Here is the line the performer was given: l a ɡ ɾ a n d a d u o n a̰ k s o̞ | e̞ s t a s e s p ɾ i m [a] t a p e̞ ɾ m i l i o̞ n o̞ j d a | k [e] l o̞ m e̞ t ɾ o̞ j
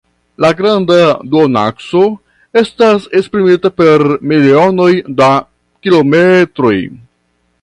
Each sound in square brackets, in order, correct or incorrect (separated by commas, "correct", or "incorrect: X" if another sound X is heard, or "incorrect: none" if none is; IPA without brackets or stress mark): incorrect: i, incorrect: i